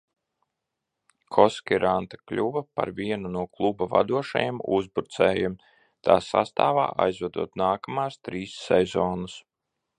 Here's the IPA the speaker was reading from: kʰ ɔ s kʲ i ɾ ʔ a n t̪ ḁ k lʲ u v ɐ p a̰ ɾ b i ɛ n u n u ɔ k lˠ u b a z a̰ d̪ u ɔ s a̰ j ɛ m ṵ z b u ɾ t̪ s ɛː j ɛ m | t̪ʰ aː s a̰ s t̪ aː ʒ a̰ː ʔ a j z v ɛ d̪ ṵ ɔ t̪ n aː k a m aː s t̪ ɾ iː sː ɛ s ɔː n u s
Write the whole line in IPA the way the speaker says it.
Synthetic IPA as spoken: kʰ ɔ s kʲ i ɾ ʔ a n t̪ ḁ k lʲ u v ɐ p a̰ ɾ v i ɛ n u n u ɔ k lˠ u b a v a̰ d̪ u ɔ ʃ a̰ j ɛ m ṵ z b u ɾ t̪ s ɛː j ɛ m | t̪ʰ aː s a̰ s t̪ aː v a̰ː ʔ a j z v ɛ d̪ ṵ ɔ t̪ n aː k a m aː s t̪ ɾ iː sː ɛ z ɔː n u s